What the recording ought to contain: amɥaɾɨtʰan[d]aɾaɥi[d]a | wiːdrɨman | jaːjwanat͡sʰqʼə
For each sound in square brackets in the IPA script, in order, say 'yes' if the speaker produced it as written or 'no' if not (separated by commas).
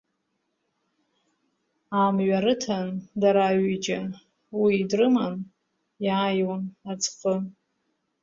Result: yes, no